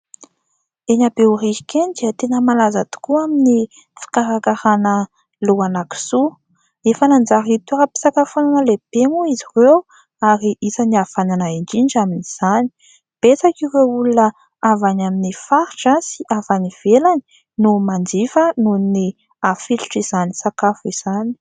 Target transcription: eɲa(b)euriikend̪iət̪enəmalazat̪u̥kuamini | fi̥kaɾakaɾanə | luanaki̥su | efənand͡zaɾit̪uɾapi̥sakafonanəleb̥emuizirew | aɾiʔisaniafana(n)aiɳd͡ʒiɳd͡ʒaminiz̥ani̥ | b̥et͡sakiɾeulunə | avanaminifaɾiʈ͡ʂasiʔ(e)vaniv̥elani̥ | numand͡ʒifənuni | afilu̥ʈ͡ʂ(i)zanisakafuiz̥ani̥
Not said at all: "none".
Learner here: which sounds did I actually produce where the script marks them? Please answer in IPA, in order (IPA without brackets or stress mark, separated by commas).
b, n, a, i